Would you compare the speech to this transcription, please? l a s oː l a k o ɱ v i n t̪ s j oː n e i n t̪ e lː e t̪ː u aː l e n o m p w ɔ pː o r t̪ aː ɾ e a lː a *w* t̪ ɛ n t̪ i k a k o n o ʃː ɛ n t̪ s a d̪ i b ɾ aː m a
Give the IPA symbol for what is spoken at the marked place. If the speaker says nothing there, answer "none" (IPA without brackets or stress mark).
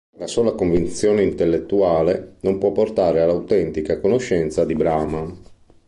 w